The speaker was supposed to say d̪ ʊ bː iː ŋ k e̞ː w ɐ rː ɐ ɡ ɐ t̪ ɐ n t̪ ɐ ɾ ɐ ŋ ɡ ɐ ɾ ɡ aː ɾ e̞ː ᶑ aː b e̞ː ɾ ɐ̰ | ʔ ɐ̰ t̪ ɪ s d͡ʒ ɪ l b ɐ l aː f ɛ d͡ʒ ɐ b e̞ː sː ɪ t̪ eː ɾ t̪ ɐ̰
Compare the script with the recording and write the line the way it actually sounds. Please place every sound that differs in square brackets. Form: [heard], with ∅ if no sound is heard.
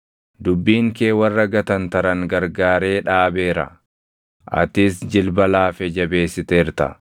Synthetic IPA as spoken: d̪ ʊ bː iː ŋ k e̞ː w ɐ rː ɐ ɡ ɐ t̪ ɐ n t̪ ɐ ɾ ɐ ŋ ɡ ɐ ɾ ɡ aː ɾ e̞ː ᶑ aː b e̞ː ɾ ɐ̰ | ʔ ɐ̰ t̪ ɪ s d͡ʒ ɪ l b ɐ l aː f ɛ d͡ʒ ɐ b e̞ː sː ɪ t̪ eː ɾ t̪ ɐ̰